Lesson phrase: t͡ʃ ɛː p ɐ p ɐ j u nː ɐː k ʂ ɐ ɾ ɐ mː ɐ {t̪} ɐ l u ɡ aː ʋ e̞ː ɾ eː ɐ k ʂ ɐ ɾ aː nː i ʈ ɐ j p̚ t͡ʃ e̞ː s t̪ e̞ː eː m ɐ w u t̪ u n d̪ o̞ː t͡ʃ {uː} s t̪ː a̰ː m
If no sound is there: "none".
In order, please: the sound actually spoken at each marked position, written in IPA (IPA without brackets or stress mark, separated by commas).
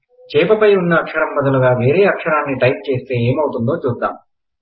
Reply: d̪, uː